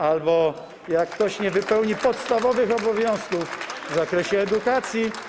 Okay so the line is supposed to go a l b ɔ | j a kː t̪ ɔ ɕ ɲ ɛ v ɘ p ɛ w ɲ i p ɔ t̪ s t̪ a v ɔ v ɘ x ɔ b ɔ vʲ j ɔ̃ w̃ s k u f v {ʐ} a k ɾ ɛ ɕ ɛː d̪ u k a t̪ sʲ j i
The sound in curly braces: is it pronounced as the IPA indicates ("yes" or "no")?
no